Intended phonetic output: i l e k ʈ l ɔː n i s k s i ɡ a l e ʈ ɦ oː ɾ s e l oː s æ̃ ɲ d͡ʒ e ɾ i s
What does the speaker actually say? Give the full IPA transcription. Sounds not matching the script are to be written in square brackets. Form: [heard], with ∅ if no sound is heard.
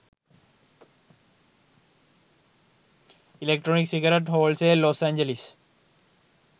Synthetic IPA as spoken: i l e k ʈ [ɾ] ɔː n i [∅] k s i ɡ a [ɾ] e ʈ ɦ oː [l] s e l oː s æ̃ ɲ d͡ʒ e [l] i s